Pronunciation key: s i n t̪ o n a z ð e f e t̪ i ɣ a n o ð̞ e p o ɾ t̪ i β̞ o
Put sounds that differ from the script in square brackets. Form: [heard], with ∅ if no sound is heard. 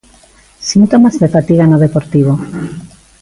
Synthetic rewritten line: s i n t̪ o [m] a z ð e f [a] t̪ i ɣ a n o ð̞ e p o ɾ t̪ i β̞ o